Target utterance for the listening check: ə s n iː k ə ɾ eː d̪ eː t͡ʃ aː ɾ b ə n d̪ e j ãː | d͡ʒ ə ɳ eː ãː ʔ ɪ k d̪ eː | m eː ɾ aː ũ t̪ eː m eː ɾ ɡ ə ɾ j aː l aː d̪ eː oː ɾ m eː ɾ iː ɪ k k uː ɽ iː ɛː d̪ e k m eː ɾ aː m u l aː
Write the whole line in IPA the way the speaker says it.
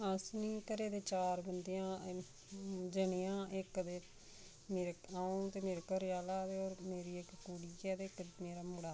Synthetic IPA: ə s n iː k ə ɾ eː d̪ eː t͡ʃ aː ɾ b ə n d̪ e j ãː | d͡ʒ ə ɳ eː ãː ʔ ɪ k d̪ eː | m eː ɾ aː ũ t̪ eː m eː ɾ k ə ɾ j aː l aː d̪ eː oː ɾ m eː ɾ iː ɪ k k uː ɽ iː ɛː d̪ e k m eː ɾ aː m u ɽ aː